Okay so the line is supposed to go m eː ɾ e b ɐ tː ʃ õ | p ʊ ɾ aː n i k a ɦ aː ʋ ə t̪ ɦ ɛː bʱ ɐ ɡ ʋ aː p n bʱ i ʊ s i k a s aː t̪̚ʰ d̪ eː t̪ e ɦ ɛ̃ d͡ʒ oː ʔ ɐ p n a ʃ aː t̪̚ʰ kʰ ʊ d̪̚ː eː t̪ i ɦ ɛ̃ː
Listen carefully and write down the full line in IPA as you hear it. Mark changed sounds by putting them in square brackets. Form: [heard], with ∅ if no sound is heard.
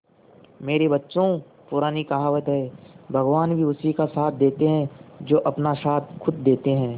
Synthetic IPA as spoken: m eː ɾ e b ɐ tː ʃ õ | p ʊ ɾ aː n i k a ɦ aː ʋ ə t̪ ɦ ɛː bʱ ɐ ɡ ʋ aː [∅] n bʱ i ʊ s i k a s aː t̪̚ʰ d̪ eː t̪ e ɦ ɛ̃ d͡ʒ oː ʔ ɐ p n a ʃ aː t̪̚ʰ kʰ ʊ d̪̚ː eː t̪ [e] ɦ ɛ̃ː